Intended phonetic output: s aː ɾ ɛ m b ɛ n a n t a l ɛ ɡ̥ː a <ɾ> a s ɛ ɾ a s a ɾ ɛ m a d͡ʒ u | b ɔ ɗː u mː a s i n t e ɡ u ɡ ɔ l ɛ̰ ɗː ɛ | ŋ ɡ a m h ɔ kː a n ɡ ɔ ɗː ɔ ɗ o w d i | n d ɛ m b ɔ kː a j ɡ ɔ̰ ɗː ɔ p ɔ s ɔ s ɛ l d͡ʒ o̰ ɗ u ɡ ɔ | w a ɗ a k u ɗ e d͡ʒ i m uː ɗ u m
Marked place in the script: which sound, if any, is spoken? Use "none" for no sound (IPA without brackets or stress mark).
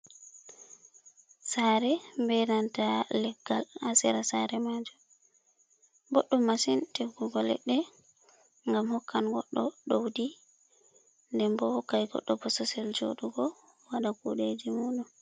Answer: l